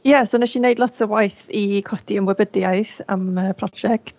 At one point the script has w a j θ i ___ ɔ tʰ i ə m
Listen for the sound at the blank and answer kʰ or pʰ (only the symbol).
kʰ